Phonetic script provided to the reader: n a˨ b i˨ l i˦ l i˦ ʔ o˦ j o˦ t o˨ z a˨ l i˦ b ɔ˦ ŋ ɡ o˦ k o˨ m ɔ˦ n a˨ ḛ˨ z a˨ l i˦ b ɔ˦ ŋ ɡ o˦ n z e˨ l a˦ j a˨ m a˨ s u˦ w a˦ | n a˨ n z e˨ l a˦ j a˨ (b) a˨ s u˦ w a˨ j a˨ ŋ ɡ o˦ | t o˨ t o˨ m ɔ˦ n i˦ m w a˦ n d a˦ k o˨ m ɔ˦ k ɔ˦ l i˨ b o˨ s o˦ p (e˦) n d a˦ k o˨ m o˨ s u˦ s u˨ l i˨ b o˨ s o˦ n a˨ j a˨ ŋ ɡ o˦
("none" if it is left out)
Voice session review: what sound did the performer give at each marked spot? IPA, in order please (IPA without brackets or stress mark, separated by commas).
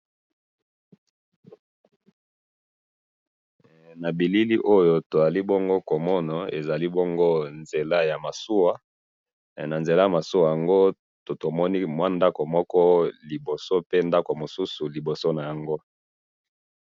m, e˦